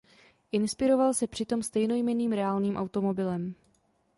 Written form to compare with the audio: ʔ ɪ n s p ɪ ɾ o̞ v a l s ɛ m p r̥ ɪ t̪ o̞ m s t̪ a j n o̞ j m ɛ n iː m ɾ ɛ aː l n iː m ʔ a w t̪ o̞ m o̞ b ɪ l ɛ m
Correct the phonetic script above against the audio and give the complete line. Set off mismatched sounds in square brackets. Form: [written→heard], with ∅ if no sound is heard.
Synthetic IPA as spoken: ʔ ɪ n s p ɪ ɾ o̞ v a l s ɛ [m→∅] p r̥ ɪ t̪ o̞ m s t̪ [a→ɛ] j n o̞ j m ɛ n iː m ɾ ɛ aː l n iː m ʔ a w t̪ o̞ m o̞ b ɪ l ɛ m